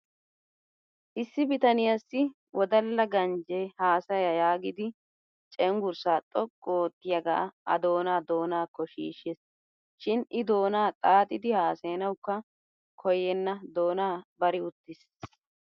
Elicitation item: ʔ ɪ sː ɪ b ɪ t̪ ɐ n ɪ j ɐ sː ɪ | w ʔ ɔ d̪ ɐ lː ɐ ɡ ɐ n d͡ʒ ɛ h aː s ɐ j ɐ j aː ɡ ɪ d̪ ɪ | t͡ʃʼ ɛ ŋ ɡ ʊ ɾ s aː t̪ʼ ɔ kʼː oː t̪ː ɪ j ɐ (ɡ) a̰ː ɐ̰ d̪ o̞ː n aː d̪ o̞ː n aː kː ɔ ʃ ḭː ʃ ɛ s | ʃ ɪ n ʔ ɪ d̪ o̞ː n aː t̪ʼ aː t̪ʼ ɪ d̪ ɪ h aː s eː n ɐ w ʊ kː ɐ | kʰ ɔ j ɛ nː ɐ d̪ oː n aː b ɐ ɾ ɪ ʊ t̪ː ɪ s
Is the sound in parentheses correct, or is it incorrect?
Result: correct